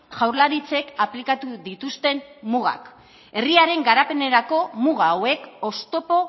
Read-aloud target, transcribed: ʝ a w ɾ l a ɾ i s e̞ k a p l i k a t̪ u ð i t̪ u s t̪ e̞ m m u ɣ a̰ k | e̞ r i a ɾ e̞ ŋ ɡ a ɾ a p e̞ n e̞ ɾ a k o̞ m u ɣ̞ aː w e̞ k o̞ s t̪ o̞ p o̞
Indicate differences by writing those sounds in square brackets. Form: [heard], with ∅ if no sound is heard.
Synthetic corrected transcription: ʝ a w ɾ l a ɾ i [t͡s] e̞ k a p l i k a t̪ u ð i t̪ u s t̪ e̞ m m u ɣ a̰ k | e̞ r i a ɾ e̞ ŋ ɡ a ɾ a p e̞ n e̞ ɾ a k o̞ m u ɣ̞ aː w e̞ k o̞ s t̪ o̞ p o̞